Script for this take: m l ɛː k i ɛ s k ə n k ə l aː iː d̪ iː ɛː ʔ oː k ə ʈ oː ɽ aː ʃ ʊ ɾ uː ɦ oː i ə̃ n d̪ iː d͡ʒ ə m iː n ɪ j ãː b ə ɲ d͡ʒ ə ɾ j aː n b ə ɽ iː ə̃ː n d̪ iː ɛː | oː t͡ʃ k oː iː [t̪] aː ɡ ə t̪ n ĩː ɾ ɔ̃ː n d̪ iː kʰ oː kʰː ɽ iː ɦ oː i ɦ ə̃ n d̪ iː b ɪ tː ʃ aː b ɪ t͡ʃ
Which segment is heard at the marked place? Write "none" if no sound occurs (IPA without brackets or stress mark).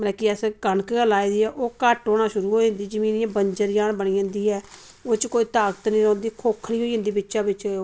t̪